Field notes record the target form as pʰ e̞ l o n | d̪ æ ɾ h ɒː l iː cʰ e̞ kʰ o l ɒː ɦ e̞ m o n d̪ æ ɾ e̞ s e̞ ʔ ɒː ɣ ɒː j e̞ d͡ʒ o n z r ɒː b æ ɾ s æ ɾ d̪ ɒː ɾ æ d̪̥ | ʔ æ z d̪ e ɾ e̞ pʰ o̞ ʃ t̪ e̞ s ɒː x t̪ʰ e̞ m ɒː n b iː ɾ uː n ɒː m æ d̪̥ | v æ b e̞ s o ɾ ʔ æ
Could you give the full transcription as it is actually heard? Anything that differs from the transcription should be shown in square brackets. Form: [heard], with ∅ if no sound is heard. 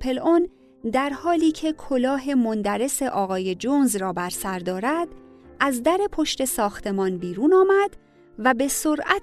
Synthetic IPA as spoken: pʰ e̞ l o n | d̪ æ ɾ h ɒː l iː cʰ e̞ kʰ o l ɒː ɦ e̞ m o n d̪ æ ɾ e̞ s e̞ ʔ ɒː ɣ ɒː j e̞ d͡ʒ o n z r ɒː b æ ɾ s æ ɾ d̪ ɒː ɾ æ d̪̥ | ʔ æ z d̪ [æ] ɾ e̞ pʰ o̞ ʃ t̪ e̞ s ɒː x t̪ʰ e̞ m ɒː n b iː ɾ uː n ɒː m æ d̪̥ | v æ b e̞ s o ɾ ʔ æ